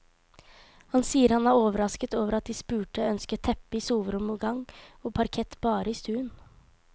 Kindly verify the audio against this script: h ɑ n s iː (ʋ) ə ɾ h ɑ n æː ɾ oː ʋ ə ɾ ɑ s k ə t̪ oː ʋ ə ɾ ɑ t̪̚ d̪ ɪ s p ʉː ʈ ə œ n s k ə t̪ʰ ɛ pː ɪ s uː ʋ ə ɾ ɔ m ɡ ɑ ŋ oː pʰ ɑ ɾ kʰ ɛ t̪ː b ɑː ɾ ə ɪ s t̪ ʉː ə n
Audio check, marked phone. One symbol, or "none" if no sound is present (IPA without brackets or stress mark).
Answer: none